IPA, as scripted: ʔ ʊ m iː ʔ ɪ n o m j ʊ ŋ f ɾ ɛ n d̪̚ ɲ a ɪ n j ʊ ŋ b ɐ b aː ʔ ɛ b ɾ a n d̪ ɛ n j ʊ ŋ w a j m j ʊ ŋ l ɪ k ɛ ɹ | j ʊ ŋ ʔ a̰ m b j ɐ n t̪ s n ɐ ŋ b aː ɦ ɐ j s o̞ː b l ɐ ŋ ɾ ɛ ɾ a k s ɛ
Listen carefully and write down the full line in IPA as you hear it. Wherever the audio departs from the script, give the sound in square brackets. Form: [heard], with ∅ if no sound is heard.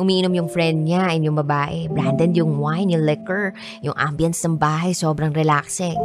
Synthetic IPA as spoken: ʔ ʊ m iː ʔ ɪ n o m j ʊ ŋ f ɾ ɛ n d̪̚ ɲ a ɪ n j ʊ ŋ b ɐ b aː ʔ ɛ b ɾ a n d̪ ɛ n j ʊ ŋ w a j [n] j ʊ ŋ l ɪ k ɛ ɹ | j ʊ ŋ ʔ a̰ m b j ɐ n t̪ s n ɐ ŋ b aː ɦ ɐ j s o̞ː b [ɾ] ɐ ŋ ɾ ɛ [l] a k s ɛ